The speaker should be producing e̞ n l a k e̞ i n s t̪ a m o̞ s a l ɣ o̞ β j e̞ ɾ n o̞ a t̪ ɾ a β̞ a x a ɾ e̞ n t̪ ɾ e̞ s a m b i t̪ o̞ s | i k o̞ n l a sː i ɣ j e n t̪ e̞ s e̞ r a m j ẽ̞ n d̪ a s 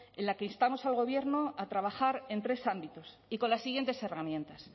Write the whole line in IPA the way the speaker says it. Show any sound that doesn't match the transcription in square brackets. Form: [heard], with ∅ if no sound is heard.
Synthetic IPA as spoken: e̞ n l a k e̞ i n s t̪ a m o̞ s a l ɣ o̞ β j e̞ ɾ n o̞ a t̪ ɾ a β̞ a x a ɾ e̞ n t̪ ɾ e̞ s a m b i t̪ o̞ s | i k o̞ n l a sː i ɣ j e n t̪ e̞ s e̞ r a m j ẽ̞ n [t̪] a s